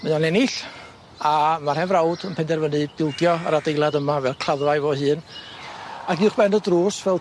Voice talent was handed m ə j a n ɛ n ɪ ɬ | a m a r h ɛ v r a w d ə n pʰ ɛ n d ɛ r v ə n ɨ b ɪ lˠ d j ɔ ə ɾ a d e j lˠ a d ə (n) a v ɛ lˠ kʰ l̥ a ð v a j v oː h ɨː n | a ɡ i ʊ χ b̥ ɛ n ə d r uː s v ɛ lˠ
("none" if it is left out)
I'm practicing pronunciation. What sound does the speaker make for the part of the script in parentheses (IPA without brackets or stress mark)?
m